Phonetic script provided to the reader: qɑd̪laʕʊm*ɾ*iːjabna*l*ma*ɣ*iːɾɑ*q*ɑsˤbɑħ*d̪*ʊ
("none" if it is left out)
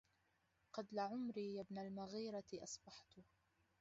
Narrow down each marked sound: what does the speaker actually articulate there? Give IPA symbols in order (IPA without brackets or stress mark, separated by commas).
ɾ, l, ɣ, ʔ, t̪